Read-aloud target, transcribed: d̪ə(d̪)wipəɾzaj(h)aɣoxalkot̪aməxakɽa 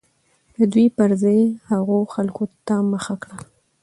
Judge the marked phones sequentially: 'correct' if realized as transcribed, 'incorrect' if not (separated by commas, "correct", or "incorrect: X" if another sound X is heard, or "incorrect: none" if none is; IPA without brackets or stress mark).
correct, correct